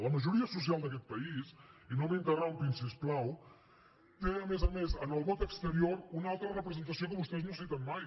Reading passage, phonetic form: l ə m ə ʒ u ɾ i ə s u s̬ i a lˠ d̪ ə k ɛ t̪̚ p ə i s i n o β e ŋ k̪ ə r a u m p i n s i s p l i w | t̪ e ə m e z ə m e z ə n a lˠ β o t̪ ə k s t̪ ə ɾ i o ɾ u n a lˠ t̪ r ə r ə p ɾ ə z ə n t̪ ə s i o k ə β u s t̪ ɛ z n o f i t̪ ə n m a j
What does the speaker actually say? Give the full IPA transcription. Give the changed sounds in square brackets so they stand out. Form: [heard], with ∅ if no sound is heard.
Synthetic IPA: l ə m ə ʒ u ɾ i ə s u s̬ i a lˠ d̪ ə k ɛ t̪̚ p ə i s i n o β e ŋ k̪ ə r a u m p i n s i s p l [a] w | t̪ e ə m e z ə m e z ə n [ə] lˠ β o t̪ ə k s t̪ ə ɾ i o ɾ u n a lˠ t̪ [ɾ] ə r ə p ɾ ə z ə n t̪ ə s i o k ə β u s t̪ ɛ z n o [s] i t̪ ə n m a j